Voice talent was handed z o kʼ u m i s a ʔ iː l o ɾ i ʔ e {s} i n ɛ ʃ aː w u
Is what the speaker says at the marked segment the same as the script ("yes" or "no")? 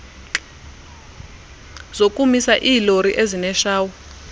no